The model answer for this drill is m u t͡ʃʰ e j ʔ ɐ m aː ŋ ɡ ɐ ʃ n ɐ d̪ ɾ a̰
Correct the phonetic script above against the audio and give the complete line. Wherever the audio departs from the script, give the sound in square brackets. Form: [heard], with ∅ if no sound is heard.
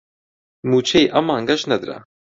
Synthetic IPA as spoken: m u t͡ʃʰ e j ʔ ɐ m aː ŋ ɡ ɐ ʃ n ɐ d̪ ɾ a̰